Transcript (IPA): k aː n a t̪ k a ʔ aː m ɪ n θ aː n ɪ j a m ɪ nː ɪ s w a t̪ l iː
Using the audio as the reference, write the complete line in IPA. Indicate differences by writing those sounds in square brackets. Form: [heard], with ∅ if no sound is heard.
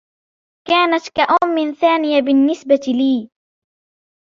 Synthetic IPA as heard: k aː n a t̪ k a ʔ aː m ɪ n θ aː n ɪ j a [b] ɪ nː ɪ s [b] a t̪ l iː